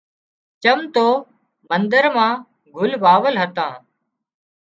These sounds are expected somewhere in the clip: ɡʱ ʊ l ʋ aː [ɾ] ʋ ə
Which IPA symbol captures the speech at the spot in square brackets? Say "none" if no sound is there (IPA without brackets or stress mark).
none